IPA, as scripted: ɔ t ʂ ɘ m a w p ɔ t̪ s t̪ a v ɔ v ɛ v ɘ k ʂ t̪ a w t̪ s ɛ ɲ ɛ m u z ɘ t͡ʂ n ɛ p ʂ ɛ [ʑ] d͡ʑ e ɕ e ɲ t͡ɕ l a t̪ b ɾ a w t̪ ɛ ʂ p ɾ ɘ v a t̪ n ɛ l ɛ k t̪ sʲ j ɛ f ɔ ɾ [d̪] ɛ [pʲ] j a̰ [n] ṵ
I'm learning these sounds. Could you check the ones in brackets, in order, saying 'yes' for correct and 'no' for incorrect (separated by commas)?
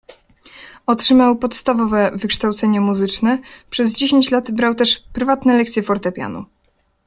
no, no, yes, yes